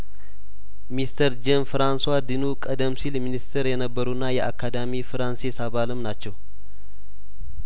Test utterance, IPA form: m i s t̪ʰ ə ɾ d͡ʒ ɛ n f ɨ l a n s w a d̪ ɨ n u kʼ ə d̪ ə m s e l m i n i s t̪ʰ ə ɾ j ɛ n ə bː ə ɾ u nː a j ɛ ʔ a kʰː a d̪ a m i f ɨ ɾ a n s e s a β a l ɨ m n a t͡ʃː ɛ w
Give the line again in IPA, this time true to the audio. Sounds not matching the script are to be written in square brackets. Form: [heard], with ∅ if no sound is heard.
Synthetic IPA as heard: m i s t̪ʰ ə ɾ d͡ʒ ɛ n f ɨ [ɾ] a n s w a d̪ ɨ n u kʼ ə d̪ ə m s [i] l m i n i s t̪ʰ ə ɾ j ɛ n ə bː ə ɾ u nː a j ɛ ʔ a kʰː a d̪ a m i f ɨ ɾ a n s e s a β a l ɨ m n a t͡ʃː ɛ w